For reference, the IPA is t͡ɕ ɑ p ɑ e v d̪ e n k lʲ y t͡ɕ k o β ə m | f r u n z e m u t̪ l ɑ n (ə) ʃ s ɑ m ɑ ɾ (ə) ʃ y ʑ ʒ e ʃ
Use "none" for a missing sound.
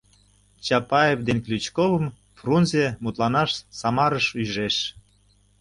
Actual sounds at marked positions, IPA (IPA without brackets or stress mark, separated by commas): ɑ, ə